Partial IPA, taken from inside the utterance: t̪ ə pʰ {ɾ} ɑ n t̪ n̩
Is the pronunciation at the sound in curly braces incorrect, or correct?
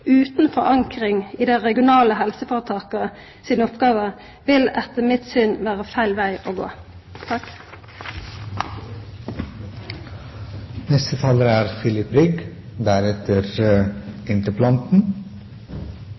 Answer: incorrect: l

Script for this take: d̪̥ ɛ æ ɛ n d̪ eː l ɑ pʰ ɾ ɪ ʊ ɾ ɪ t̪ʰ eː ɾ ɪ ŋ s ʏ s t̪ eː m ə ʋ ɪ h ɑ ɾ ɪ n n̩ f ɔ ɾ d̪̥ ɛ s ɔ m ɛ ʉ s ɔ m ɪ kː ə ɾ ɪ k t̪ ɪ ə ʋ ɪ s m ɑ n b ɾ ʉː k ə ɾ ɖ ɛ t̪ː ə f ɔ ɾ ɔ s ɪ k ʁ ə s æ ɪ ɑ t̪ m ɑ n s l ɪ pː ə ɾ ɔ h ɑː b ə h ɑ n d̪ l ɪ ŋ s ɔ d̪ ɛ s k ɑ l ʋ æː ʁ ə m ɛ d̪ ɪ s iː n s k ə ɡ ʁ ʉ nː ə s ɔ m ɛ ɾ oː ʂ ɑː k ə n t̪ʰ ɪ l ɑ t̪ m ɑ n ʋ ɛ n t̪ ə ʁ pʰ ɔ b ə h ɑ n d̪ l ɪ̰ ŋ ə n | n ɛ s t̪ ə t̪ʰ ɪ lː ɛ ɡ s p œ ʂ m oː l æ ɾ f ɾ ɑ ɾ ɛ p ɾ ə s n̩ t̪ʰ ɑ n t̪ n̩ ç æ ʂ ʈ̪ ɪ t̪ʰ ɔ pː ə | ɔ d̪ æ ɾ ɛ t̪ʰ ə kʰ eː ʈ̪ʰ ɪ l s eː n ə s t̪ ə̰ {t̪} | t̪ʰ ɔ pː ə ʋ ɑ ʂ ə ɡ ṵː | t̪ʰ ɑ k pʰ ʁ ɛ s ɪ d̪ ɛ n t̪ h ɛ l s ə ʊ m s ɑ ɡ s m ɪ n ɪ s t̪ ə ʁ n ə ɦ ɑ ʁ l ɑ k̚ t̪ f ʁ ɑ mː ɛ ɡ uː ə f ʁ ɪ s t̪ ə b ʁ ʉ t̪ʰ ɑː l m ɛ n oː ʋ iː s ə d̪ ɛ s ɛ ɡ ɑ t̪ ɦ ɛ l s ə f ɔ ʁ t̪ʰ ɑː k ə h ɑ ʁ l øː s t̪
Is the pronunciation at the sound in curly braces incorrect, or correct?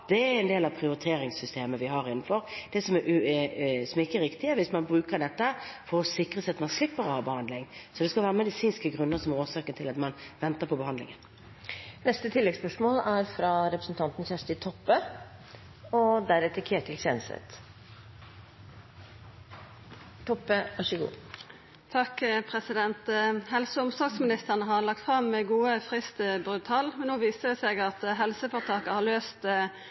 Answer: correct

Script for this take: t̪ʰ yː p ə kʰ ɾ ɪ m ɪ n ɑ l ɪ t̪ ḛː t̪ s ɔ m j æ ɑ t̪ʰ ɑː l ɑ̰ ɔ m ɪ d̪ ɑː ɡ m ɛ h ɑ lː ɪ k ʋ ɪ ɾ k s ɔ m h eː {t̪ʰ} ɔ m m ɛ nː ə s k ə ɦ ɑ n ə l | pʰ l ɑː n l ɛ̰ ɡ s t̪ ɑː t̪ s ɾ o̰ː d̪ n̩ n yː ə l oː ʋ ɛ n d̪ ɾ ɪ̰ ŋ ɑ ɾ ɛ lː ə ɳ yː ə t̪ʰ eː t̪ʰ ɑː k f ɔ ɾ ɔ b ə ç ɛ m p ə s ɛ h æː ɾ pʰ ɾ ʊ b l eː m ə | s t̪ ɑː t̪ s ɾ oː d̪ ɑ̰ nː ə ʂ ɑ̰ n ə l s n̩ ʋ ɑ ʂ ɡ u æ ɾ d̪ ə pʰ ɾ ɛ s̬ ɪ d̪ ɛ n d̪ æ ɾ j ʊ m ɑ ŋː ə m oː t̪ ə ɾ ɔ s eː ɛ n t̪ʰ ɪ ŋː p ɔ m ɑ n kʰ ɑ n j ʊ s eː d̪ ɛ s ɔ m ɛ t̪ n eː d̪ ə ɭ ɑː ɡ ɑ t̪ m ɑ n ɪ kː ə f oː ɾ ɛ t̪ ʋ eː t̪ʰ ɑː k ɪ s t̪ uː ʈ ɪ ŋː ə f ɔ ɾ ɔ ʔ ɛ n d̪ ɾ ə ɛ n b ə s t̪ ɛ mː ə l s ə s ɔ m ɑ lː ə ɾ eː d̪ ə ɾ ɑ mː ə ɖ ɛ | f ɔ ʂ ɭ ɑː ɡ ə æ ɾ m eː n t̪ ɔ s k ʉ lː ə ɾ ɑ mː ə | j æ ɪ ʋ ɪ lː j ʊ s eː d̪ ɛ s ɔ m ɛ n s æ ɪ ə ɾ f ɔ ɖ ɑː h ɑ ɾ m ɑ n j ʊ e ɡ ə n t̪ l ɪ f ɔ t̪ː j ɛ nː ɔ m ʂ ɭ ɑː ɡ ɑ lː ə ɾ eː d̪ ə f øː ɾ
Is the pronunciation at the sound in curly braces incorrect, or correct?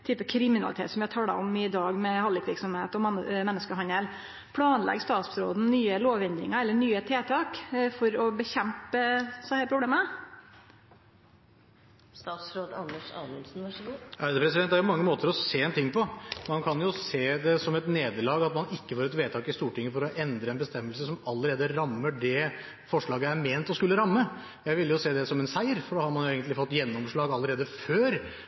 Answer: incorrect: t̪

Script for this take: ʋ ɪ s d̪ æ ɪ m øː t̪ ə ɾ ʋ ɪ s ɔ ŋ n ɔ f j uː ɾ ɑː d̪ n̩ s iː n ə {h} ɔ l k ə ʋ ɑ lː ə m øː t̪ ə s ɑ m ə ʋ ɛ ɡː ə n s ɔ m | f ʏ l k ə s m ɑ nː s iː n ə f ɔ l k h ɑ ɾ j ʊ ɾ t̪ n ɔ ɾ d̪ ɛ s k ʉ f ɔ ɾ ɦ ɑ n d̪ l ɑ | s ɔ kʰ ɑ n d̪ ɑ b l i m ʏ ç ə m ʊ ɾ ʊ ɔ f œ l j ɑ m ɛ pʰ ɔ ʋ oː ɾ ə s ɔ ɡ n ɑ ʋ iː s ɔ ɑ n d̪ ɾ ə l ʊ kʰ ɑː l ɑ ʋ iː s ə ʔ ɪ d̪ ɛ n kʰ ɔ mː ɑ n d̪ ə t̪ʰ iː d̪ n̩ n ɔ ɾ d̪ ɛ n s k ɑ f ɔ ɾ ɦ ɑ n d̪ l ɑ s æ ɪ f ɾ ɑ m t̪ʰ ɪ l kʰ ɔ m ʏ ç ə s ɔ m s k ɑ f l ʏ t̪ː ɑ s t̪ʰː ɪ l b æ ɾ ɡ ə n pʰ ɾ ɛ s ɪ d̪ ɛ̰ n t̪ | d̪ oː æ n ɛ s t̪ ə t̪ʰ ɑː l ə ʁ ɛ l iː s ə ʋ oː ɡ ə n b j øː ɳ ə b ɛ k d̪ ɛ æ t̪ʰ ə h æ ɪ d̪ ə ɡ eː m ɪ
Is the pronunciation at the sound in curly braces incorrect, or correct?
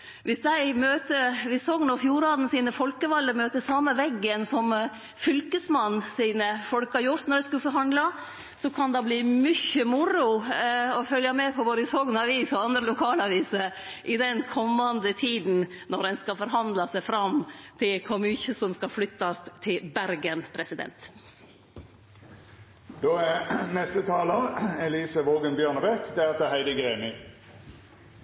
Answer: incorrect: f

